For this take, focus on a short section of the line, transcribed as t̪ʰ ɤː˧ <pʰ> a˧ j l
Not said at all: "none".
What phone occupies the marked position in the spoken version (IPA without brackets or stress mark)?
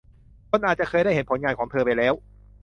p